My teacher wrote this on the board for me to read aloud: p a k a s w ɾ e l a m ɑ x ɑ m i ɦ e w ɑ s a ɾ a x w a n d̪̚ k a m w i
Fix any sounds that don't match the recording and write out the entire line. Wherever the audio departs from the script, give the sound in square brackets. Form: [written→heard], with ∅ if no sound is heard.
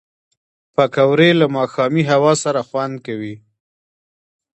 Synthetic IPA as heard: p a k a [s→∅] w ɾ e l a m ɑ x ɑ m i ɦ [e→a] w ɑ s a ɾ a x w a n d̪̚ k a [m→∅] w i

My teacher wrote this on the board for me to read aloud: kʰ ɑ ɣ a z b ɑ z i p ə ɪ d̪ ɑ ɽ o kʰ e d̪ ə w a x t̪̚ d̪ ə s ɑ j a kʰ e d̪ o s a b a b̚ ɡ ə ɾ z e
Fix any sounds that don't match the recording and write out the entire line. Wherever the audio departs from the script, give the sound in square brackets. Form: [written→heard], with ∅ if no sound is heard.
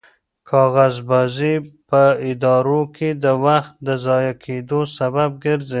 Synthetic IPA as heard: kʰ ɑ ɣ a z b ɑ z i p ə ɪ d̪ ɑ [ɽ→ɾ] o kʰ e d̪ ə w a x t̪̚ d̪ ə [s→z] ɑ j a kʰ e d̪ o s a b a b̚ ɡ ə ɾ z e

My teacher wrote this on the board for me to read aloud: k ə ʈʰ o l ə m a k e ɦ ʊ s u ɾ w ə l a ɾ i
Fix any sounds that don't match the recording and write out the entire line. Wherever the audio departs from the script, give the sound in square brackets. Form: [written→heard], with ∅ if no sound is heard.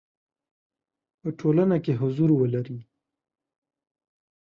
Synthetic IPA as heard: [k→p] ə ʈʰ o l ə [m→n] a k e ɦ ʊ [s→z] u ɾ w ə l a ɾ i

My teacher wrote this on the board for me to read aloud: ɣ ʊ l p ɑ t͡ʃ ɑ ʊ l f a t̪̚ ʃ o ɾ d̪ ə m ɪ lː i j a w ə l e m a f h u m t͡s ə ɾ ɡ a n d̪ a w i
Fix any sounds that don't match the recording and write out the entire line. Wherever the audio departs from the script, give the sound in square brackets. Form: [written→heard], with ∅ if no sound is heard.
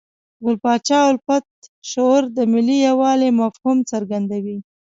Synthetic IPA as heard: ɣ ʊ l p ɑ t͡ʃ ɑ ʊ l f a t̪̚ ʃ o ɾ d̪ ə m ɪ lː i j a w [ə→ɑ] l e m a f h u m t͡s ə ɾ ɡ a n d̪ a w i

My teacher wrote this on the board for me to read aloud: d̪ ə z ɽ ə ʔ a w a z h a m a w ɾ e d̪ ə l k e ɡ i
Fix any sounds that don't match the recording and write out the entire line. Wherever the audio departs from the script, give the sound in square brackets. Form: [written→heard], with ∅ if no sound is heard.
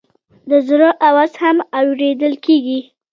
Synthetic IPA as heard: d̪ ə z [ɽ→ɾ] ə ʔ a w a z h a m a w ɾ e d̪ ə l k e ɡ i

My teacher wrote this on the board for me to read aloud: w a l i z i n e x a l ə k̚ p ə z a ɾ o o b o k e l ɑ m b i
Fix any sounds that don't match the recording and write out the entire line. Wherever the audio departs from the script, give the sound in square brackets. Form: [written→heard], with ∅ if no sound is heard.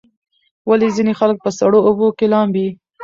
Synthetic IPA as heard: w a l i z i n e x a l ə k̚ p ə [z→s] a [ɾ→ɽ] o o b o k e l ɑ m b i

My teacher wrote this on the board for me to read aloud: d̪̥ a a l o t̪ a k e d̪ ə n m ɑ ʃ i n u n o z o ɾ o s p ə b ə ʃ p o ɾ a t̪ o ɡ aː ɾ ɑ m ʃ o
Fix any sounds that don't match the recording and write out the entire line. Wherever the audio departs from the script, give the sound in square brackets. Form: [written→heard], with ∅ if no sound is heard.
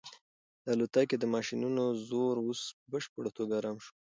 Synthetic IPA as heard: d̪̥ [a→ə] a l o t̪ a k e d̪ ə [n→∅] m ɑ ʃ i n u n o z o ɾ o s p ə b ə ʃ p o [ɾ→ɽ] a t̪ o ɡ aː ɾ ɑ m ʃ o

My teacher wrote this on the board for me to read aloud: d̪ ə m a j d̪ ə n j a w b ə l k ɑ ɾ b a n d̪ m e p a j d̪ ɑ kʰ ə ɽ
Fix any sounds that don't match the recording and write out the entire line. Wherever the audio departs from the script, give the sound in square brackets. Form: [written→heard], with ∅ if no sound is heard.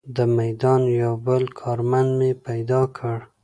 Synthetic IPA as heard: d̪ ə m a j d̪ [ə→ɑ] n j a w b ə l [k→kʰ] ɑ ɾ [b→m] a n d̪ m e p a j d̪ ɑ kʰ ə ɽ

